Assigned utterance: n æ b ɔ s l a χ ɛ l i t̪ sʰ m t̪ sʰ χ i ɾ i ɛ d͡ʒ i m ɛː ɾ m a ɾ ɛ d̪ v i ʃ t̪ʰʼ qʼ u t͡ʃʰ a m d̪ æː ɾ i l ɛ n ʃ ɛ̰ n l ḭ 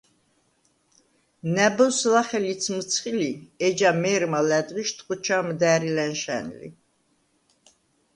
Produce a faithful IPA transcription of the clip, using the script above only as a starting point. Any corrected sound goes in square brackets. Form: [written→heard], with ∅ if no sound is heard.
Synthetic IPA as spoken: n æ b ɔ s l a χ ɛ l i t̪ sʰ m t̪ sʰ χ i [ɾ→l] i ɛ d͡ʒ [i→a] m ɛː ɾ m a [ɾ→l] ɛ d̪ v i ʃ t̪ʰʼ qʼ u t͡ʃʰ a m d̪ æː ɾ i l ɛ n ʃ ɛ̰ n l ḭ